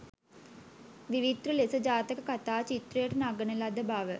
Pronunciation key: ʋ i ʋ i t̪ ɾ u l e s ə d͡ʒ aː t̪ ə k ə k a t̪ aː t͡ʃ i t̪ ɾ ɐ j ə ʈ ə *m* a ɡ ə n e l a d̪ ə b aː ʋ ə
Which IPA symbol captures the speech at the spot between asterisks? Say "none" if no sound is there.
n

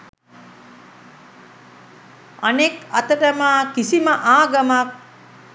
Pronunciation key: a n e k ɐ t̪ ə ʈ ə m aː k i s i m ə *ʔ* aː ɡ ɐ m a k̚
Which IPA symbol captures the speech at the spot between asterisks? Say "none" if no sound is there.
ʔ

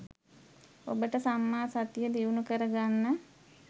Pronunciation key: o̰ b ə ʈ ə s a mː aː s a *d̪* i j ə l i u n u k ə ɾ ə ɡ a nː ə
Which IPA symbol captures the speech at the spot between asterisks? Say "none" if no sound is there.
t̪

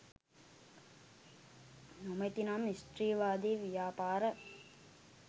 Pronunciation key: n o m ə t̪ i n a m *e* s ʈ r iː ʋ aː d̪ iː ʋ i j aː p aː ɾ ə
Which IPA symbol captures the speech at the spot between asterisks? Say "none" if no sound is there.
i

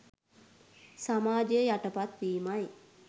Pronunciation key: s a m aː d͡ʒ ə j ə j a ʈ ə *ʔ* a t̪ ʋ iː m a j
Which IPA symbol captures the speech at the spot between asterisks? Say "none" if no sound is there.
p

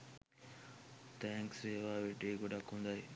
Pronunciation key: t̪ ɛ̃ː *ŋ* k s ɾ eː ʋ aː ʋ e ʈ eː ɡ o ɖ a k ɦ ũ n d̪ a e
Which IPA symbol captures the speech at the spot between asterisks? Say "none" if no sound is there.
ŋ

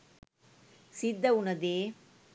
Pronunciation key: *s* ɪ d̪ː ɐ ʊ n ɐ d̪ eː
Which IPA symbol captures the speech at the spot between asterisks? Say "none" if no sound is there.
s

